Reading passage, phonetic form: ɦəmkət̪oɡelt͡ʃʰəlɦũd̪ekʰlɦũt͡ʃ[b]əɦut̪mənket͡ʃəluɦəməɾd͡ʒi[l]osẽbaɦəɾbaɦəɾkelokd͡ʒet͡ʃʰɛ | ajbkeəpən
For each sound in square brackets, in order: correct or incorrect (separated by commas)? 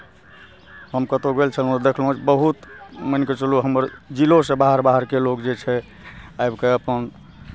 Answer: correct, correct